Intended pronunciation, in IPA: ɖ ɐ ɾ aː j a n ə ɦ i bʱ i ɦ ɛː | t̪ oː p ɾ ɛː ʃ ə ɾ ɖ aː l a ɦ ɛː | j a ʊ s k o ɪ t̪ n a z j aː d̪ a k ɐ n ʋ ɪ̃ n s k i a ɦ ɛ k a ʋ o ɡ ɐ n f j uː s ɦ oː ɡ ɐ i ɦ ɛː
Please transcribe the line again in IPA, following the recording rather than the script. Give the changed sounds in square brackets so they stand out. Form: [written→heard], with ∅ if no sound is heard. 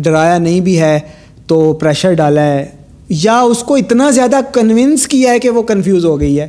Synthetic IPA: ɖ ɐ ɾ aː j a n [ə→ɐ] ɦ [i→ĩ] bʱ i ɦ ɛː | t̪ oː p ɾ ɛː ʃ ə ɾ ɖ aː l a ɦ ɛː | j a ʊ s k o ɪ t̪ n a z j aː d̪ a k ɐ n ʋ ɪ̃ n s k i a ɦ ɛ k [a→e] ʋ o [ɡ→k] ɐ n f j uː [s→z] ɦ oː ɡ ɐ i ɦ ɛː